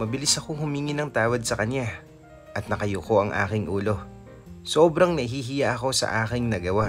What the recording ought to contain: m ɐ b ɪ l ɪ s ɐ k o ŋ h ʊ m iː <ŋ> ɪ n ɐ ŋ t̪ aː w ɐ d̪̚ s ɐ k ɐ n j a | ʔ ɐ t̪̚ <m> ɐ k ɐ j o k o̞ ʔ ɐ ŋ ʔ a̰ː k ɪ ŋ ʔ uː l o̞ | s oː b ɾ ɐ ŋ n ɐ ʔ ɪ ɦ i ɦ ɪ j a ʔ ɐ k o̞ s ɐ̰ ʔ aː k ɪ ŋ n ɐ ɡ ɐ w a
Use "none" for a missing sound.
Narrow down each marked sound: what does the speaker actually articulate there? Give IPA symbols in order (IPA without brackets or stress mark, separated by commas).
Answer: ŋ, n